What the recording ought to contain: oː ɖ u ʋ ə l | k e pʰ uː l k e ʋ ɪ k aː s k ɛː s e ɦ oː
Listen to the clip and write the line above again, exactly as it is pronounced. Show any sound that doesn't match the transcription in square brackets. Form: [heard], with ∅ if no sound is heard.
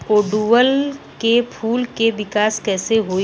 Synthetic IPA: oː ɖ u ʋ ə l | k e pʰ uː l k e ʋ ɪ k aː s k ɛː s e ɦ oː